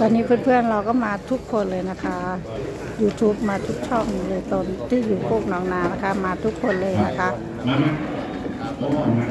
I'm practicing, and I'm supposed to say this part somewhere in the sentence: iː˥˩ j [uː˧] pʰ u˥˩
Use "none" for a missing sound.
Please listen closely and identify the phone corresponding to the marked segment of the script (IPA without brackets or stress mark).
uː˨˩